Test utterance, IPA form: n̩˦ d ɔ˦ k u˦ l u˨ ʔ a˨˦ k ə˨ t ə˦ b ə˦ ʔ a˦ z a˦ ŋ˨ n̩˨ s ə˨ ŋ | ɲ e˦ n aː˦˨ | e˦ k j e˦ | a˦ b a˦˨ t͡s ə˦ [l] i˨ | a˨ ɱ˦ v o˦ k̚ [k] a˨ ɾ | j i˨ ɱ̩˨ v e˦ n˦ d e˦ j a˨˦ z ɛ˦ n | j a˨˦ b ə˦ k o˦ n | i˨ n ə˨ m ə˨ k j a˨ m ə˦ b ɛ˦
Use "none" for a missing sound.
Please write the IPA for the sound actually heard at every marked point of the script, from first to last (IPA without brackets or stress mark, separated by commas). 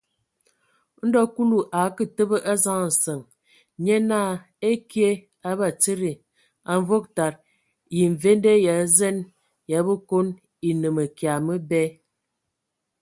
ɾ, t